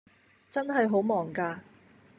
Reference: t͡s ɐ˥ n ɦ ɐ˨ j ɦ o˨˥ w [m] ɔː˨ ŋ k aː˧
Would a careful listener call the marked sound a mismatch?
no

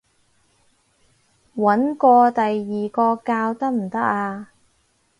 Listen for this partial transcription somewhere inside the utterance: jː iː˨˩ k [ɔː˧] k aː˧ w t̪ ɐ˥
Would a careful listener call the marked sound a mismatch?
no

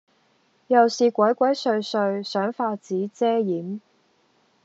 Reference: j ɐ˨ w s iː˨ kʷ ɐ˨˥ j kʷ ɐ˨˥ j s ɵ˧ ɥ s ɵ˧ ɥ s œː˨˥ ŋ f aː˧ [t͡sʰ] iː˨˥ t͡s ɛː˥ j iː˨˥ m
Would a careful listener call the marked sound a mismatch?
yes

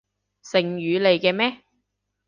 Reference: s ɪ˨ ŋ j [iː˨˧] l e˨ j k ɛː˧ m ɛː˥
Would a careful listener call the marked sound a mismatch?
yes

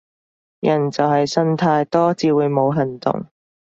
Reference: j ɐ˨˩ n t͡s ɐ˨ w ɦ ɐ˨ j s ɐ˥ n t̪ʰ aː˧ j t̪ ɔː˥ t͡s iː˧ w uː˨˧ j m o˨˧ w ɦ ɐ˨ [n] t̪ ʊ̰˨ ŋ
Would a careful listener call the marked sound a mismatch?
no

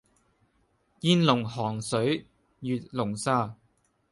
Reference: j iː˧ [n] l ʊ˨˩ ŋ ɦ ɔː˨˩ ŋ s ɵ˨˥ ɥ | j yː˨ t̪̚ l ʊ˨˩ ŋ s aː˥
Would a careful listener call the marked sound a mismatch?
no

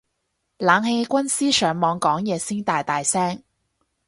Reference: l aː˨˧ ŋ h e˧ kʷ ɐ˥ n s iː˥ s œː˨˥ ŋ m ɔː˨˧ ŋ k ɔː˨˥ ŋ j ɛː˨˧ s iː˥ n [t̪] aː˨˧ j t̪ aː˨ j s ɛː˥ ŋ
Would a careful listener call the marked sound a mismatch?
no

